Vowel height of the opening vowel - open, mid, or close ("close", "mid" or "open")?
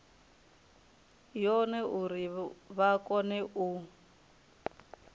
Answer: mid